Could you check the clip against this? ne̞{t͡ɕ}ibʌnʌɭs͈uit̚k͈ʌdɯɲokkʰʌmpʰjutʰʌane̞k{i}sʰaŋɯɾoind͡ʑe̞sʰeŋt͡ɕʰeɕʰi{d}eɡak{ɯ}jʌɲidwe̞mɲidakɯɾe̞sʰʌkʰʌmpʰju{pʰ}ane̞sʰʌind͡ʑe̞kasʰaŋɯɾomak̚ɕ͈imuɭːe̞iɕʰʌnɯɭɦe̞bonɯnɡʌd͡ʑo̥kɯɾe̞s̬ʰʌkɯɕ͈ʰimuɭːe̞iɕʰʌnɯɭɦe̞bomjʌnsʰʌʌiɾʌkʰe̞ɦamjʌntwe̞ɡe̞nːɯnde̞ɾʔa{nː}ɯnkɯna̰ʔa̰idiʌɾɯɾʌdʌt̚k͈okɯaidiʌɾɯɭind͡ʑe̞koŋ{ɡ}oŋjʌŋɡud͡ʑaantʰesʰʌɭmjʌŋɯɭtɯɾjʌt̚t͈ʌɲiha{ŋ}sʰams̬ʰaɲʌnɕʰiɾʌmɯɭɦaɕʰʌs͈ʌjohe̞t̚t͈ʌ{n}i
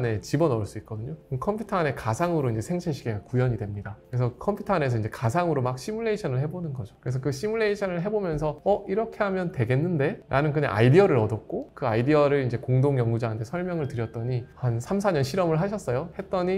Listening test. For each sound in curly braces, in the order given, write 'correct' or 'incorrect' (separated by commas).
correct, incorrect, incorrect, incorrect, incorrect, incorrect, incorrect, incorrect, incorrect